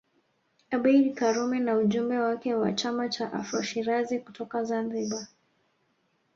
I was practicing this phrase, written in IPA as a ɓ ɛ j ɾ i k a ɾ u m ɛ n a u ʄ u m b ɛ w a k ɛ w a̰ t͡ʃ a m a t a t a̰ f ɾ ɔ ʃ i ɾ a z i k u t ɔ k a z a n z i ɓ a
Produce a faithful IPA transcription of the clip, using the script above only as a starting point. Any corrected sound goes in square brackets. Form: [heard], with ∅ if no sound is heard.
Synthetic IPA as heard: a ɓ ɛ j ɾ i k a ɾ u m ɛ n a u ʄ u m b ɛ w a k ɛ w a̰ t͡ʃ a m a [t͡ʃ] a [ʔ] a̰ f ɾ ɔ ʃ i ɾ a z i k u t ɔ k a z a n z i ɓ a